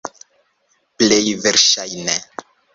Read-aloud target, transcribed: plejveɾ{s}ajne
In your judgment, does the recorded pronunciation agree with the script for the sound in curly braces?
no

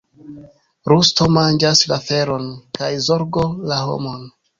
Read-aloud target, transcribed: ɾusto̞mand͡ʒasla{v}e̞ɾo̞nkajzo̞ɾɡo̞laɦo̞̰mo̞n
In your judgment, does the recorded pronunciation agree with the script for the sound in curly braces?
no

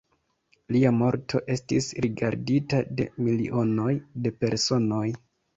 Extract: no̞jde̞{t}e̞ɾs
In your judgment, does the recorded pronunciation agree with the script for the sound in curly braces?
no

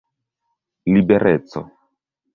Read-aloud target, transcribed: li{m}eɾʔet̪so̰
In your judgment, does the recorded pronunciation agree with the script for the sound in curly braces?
no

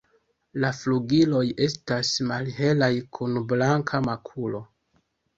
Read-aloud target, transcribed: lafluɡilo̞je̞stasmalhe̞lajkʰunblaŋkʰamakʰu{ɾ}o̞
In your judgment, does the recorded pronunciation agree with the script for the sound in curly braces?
no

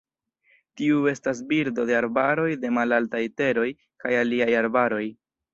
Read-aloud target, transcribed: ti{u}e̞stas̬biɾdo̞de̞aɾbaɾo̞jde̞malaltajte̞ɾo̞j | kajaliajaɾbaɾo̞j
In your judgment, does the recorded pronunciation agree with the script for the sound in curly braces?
yes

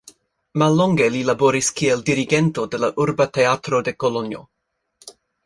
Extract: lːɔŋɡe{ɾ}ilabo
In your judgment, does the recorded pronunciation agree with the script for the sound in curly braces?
no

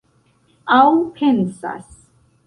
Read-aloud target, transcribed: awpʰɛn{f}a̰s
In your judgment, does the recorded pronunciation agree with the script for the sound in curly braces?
no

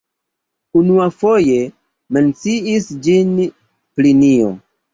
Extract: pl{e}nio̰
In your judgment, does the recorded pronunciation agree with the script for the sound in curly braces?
no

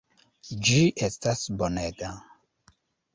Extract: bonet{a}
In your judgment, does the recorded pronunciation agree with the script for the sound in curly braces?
yes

